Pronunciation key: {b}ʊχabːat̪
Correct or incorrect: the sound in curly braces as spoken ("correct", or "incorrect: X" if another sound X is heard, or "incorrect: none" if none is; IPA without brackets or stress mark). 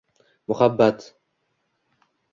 incorrect: m